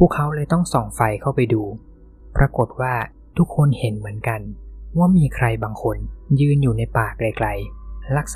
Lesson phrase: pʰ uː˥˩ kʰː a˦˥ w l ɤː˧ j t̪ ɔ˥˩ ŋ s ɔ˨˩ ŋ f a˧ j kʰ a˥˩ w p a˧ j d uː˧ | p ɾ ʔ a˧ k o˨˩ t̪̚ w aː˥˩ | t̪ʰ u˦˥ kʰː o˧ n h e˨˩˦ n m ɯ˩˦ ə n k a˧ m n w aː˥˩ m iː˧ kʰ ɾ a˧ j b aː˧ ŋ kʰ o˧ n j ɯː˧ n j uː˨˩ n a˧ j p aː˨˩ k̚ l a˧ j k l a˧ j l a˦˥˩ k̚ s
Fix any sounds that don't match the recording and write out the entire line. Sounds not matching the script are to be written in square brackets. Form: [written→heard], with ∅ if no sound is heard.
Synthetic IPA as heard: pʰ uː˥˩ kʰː a˦˥ w l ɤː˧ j t̪ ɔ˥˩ ŋ s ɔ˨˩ ŋ f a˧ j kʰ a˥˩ w p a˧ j d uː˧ | p ɾ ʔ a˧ k o˨˩ t̪̚ w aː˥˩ | t̪ʰ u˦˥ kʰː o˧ n h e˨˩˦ n m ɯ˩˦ ə n k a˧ [m→∅] n w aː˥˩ m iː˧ kʰ ɾ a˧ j b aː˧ ŋ kʰ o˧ n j ɯː˧ n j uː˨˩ n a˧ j p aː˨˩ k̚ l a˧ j k l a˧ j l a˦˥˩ k̚ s